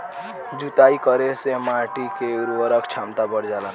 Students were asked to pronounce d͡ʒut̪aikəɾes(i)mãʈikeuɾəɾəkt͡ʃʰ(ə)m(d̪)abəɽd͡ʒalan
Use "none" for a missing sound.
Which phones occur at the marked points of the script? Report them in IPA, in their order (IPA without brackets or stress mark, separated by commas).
e, a, t̪